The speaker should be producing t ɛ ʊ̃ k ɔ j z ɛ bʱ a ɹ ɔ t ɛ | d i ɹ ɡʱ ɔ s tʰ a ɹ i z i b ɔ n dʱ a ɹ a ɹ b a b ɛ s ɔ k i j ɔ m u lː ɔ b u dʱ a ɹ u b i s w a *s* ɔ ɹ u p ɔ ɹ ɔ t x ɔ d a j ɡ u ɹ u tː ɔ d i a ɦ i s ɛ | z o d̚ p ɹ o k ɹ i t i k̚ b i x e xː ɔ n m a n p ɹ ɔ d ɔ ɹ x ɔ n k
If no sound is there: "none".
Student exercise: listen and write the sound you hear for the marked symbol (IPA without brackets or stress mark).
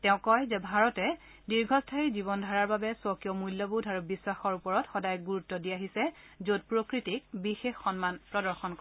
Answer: x